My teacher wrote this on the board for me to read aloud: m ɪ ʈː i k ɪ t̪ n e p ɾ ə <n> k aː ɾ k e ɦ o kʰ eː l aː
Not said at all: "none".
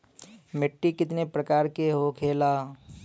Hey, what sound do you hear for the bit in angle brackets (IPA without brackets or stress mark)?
none